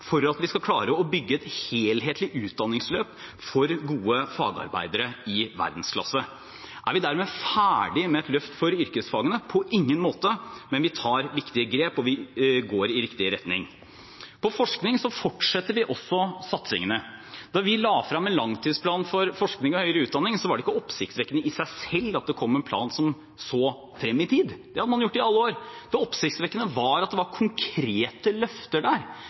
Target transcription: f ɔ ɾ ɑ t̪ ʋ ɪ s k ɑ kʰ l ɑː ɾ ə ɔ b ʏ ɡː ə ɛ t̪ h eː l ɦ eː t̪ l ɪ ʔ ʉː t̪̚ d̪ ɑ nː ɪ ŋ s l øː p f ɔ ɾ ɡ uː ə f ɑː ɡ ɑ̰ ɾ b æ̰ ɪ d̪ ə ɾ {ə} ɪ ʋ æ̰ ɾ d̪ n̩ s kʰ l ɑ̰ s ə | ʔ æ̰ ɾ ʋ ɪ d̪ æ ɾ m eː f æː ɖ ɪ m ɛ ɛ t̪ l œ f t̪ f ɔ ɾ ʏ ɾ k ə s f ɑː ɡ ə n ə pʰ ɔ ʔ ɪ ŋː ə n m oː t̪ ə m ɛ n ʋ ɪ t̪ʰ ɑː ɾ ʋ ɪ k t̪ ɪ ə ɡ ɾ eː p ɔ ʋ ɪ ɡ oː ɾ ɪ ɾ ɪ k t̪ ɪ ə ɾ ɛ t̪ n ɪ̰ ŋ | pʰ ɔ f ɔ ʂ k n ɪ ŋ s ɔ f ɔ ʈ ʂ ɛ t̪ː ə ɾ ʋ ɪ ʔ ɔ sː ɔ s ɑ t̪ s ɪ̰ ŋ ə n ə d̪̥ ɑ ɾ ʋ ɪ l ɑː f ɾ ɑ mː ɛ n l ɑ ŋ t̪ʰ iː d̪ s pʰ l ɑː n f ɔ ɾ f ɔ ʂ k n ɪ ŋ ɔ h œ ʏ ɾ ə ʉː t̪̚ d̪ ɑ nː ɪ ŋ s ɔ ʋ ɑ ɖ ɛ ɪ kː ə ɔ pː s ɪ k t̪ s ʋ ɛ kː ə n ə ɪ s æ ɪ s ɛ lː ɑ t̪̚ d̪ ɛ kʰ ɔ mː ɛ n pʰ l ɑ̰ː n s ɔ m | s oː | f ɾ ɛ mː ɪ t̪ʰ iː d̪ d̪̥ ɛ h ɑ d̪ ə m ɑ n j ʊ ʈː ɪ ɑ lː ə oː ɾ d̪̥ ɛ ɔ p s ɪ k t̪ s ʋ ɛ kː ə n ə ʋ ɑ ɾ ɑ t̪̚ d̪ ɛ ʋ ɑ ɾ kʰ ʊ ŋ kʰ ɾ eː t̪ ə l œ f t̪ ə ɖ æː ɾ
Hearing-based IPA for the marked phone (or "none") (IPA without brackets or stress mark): ə